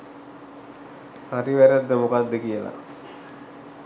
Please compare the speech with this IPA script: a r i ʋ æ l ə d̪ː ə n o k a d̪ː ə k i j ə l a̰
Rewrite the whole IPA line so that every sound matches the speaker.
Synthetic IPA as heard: a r i ʋ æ ɾ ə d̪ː ə m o k a d̪ː ə k i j ə l a̰